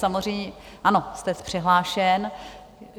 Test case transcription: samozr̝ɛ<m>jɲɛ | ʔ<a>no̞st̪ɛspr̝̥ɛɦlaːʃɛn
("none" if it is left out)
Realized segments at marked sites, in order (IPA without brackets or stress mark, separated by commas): none, a